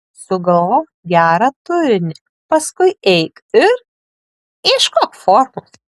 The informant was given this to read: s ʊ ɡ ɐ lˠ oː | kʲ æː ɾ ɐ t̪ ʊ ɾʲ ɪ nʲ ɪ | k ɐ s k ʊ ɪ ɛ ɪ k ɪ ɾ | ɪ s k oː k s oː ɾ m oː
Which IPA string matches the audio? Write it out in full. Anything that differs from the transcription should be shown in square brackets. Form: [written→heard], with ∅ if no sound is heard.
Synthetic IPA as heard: s ʊ ɡ ɐ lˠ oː | [kʲ→ɡʲ] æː ɾ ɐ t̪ ʊ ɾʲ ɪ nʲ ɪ | [k→p] ɐ s k ʊ ɪ ɛ ɪ k ɪ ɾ | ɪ [s→ʃ] k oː k [s→f] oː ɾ m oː